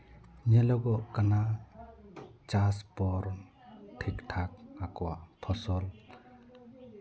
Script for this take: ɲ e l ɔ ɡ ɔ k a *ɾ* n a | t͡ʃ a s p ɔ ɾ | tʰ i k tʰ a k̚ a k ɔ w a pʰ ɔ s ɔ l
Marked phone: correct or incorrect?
incorrect